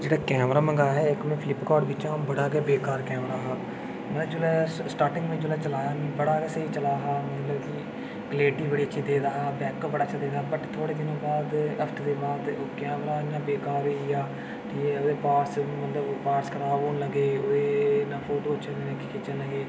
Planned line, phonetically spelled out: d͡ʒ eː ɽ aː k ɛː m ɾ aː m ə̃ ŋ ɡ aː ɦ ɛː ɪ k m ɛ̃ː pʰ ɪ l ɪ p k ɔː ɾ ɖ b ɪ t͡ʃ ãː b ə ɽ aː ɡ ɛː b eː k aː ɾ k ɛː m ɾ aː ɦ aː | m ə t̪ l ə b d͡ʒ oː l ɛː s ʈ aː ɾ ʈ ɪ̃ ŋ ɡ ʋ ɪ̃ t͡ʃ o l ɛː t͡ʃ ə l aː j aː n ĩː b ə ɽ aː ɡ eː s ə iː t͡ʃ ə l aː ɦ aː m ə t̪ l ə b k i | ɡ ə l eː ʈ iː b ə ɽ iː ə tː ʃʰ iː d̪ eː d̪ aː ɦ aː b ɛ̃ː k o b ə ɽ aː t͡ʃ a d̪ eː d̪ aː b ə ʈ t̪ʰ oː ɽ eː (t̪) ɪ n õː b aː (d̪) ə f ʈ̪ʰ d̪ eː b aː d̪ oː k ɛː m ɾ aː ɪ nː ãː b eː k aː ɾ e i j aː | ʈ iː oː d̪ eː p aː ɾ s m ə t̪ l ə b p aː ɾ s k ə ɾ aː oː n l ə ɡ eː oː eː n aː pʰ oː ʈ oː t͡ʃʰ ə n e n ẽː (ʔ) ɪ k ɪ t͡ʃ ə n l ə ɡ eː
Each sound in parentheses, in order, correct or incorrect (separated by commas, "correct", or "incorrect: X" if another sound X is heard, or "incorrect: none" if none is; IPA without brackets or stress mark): incorrect: d̪, correct, incorrect: k